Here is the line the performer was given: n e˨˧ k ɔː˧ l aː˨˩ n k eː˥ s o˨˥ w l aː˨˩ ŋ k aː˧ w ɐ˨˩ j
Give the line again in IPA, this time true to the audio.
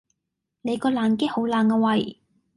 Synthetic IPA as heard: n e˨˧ k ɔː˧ l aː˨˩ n k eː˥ h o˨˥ w l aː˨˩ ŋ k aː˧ w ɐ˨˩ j